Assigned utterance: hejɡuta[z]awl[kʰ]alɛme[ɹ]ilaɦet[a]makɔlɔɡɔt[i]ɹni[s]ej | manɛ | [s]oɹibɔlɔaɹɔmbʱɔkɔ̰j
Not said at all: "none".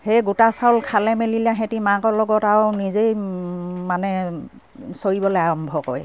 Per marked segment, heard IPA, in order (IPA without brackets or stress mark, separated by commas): s, kʰ, l, i, a, z, s